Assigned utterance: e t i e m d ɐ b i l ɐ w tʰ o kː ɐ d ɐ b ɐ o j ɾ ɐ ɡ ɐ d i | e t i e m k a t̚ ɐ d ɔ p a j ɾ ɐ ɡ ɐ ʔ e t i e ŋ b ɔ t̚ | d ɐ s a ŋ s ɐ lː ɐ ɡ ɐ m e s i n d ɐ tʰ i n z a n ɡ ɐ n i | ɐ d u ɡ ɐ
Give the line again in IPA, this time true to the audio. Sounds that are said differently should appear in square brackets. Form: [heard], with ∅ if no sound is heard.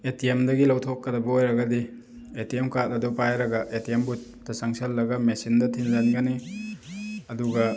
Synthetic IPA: e t i e m d ɐ [ɡ] i l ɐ w tʰ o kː ɐ d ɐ b ɐ o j ɾ ɐ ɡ ɐ d i | e t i e m k a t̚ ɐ d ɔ p a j ɾ ɐ ɡ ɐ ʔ e t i e [m] b [u] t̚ | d ɐ s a ŋ s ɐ lː ɐ ɡ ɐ m e s i n d ɐ tʰ i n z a n ɡ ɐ n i | ɐ d u ɡ ɐ